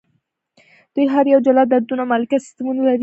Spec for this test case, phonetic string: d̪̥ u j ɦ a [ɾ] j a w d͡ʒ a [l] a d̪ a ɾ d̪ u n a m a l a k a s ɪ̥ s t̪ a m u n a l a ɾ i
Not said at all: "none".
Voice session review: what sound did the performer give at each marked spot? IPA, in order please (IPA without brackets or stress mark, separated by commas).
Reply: ɾ, l